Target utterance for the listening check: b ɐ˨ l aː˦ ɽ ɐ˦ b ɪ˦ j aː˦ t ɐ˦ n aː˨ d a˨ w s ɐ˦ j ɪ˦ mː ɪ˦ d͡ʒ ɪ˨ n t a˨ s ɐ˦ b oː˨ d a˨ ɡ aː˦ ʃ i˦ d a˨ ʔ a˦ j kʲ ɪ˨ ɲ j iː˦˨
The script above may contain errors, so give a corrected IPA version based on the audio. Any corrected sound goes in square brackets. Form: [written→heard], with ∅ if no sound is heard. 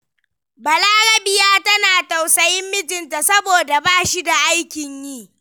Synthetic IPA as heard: b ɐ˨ l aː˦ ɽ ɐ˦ b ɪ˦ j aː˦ t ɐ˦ n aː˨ [d→t] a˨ w s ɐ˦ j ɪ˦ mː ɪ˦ d͡ʒ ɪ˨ n t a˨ s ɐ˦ b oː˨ d a˨ [ɡ→b] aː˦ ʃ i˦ d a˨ ʔ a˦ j kʲ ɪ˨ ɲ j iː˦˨